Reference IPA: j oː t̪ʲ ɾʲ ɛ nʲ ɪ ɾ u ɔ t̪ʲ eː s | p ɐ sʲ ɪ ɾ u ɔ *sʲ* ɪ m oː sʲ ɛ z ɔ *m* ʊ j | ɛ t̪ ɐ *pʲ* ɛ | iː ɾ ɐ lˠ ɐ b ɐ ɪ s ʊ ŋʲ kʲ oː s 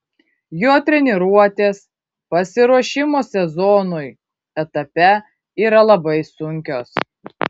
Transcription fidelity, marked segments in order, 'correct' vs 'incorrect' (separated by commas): incorrect, incorrect, correct